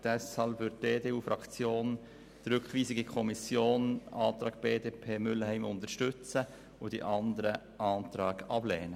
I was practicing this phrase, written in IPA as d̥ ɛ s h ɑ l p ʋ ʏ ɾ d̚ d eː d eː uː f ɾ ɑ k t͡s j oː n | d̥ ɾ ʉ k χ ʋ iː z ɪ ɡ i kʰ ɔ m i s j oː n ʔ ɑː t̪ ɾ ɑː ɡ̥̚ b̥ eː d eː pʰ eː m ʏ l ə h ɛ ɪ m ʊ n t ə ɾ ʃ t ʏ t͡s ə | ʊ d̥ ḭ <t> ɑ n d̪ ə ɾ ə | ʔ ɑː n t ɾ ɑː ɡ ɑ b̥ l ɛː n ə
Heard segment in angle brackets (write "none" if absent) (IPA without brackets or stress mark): ʔ